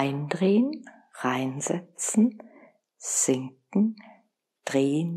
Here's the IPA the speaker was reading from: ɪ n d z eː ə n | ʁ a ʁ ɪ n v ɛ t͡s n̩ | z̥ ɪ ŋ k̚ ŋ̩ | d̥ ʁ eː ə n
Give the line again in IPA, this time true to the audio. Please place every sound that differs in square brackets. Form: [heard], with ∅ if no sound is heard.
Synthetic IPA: ɪ n d [ʁ] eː ə n | ʁ a [∅] ɪ n [z] ɛ t͡s n̩ | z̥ ɪ ŋ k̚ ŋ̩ | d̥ ʁ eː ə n